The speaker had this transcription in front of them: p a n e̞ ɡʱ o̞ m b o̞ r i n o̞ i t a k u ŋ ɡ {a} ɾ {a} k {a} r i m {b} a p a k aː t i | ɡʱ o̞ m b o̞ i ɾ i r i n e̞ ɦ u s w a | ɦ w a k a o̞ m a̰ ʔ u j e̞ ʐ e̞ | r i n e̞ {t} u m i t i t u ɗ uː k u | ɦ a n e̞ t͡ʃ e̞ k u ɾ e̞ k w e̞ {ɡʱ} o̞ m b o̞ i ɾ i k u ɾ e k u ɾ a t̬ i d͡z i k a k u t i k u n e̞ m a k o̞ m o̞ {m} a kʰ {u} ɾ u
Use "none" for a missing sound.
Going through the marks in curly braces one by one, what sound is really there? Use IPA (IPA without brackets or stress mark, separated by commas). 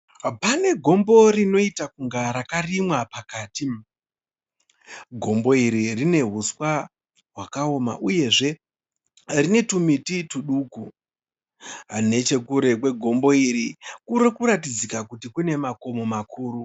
a, a, a, w, t, ɡʱ, m, uː